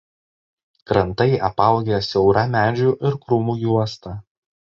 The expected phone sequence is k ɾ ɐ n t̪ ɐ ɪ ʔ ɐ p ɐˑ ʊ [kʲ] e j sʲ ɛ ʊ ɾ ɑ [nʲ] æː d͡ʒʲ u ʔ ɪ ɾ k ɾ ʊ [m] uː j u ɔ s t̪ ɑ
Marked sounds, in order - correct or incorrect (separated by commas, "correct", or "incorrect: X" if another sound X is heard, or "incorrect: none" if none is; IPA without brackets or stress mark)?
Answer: incorrect: ɡʲ, incorrect: mʲ, correct